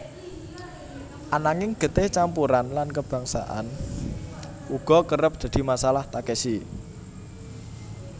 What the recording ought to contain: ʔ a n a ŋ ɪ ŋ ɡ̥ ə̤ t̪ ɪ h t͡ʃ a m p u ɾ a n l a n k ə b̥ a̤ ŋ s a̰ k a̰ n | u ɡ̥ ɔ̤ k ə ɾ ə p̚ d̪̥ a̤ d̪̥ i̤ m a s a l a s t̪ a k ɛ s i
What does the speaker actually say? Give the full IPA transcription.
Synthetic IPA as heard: ʔ a n a ŋ ɪ ŋ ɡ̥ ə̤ t̪ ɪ h t͡ʃ a m p u ɾ a n l a n k ə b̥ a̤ ŋ s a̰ ʔ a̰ n | u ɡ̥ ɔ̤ k ə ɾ ə p̚ d̪̥ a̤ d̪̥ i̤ m a s a l a h t̪ a k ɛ s i